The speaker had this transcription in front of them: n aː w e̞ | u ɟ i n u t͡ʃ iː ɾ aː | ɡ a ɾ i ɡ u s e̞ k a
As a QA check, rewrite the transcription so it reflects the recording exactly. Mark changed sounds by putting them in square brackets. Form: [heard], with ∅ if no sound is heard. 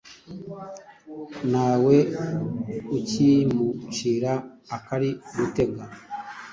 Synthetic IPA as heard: n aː w e̞ | u [c] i [m] u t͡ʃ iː ɾ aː | [k] a ɾ i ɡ u [t] e̞ [ɡ] a